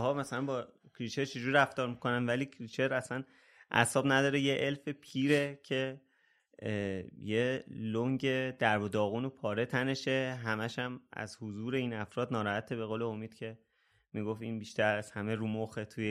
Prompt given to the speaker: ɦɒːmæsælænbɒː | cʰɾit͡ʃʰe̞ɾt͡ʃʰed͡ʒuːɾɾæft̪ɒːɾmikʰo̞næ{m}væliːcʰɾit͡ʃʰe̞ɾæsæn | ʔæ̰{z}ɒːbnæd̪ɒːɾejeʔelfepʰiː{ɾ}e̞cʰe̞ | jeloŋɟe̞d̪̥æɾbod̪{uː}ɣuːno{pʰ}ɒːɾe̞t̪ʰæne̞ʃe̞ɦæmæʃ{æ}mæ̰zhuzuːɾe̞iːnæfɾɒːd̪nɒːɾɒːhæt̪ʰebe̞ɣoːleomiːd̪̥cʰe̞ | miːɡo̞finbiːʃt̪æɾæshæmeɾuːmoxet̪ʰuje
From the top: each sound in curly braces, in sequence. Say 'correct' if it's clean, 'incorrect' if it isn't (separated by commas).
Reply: incorrect, incorrect, correct, incorrect, correct, correct